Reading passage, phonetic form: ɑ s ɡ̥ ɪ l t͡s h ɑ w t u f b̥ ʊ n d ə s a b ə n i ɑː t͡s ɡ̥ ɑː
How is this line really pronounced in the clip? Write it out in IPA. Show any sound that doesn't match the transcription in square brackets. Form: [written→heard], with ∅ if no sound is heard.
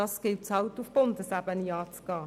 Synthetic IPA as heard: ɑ s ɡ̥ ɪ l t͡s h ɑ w t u f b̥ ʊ n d ə s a b ə n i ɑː t͡s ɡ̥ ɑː

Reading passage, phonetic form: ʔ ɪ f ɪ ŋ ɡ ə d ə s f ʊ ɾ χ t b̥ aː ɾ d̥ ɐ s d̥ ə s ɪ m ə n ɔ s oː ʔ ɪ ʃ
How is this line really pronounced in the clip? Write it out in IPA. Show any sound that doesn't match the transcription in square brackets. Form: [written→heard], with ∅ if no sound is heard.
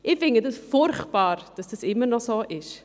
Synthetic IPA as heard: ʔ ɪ f ɪ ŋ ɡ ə d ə s f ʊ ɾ χ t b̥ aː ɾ d̥ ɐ s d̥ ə s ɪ m ə n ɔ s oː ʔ ɪ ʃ

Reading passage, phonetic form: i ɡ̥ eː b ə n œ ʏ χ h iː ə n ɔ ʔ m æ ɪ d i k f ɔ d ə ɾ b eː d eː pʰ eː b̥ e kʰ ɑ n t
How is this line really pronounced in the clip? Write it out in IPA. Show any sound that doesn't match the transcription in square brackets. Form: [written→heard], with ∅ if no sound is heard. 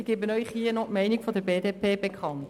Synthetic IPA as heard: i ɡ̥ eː b ə n œ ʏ χ h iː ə n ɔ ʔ m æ ɪ [d→n] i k f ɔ d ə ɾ b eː d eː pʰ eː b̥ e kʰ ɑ n t

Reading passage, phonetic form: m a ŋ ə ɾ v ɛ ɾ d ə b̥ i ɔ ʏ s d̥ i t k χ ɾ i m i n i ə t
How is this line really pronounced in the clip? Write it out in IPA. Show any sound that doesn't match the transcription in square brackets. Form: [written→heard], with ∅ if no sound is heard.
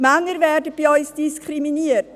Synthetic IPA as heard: m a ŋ ə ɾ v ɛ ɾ d ə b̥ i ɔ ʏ s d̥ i [t→s] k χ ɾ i m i n i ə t

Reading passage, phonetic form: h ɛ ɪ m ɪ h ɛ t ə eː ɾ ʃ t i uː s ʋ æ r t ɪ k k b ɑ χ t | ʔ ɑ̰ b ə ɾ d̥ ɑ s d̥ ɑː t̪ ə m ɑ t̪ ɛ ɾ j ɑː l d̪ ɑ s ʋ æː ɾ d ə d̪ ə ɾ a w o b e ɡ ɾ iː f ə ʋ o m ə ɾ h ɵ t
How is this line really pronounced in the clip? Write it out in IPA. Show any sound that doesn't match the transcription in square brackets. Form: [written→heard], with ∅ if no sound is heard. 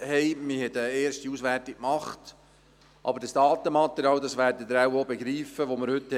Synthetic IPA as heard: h ɛ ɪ m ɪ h ɛ t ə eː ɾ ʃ t i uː s ʋ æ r t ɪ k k [b→m] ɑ χ t | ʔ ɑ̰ b ə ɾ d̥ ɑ s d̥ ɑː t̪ ə m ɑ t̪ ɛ ɾ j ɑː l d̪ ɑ s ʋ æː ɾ d ə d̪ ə ɾ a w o b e ɡ ɾ iː f ə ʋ o m ə ɾ h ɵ t

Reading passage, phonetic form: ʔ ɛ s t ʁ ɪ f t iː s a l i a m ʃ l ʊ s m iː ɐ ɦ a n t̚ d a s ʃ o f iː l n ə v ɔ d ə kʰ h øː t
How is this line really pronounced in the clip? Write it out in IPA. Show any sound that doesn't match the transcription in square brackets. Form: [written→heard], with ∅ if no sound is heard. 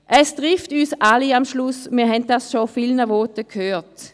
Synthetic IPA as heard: ʔ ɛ s t ʁ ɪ f t [iː→yː] s a l i a m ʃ l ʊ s m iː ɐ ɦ [a→ɛ] n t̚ d a s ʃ o f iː l n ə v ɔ [d→t] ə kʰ h øː t

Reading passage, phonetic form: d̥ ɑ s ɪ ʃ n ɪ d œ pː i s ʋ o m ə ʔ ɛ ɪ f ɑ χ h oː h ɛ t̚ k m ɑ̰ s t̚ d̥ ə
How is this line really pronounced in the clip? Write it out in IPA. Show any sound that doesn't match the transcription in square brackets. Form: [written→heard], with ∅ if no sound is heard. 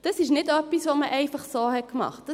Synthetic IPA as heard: d̥ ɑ s ɪ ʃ n ɪ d œ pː i s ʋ o m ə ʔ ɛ ɪ f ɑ χ [h→s] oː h ɛ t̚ k m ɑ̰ [s→χ] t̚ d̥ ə

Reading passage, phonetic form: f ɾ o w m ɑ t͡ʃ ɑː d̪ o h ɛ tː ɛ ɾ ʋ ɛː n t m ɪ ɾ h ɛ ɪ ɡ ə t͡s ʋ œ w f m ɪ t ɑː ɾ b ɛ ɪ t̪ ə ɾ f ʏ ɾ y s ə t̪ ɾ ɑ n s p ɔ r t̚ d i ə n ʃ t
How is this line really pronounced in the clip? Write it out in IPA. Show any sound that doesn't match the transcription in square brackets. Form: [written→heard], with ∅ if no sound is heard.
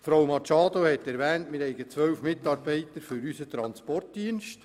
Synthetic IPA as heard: f ɾ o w m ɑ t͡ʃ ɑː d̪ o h ɛ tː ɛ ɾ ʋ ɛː n t m ɪ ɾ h ɛ ɪ ɡ ə t͡s ʋ œ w f m ɪ t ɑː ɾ b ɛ ɪ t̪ ə ɾ f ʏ ɾ y s ə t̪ ɾ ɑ n s p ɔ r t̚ d i ə n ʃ t

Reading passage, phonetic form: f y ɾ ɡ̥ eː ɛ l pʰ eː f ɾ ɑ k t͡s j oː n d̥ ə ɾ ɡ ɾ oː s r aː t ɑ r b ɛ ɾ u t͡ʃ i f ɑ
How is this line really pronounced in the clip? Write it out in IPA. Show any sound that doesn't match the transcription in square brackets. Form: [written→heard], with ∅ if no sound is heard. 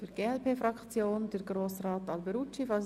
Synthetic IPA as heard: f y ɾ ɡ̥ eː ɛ l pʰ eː f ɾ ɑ k t͡s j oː n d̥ ə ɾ ɡ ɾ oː s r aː t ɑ [r→l] b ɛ ɾ u t͡ʃ i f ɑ

